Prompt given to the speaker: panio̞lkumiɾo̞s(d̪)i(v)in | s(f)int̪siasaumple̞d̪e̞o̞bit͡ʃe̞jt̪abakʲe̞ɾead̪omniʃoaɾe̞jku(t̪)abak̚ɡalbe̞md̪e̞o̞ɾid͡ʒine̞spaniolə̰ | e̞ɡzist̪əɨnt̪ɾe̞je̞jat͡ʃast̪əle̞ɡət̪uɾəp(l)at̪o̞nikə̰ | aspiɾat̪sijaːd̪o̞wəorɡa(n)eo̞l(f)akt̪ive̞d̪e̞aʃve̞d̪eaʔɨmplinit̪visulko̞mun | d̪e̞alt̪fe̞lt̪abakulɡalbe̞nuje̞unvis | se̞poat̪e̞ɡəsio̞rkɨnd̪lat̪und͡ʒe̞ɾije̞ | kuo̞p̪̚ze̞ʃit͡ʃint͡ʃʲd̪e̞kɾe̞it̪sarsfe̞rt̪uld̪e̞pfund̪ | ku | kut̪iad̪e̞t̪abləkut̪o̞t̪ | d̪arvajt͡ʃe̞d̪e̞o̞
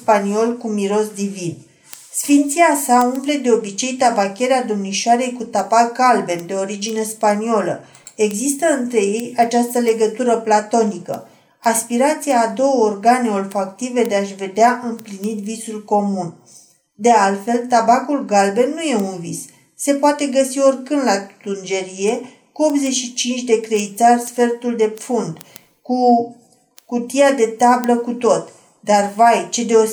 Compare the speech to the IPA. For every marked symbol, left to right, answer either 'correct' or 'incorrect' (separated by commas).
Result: correct, correct, correct, correct, correct, correct, correct